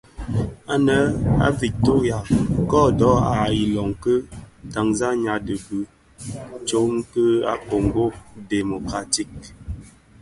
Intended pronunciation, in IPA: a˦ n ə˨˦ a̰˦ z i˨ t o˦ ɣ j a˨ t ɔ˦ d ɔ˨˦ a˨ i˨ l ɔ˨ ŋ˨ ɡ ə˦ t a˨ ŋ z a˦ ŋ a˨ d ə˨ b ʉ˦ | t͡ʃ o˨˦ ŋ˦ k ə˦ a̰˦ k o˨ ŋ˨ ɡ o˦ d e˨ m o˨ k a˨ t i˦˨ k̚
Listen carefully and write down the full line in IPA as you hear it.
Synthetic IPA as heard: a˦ n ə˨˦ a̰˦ v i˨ t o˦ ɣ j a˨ k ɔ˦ d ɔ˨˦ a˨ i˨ l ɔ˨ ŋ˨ k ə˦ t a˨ ŋ z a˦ ɲ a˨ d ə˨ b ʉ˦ | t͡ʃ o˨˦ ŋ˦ k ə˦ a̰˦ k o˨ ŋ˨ ɡ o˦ d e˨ m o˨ k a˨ t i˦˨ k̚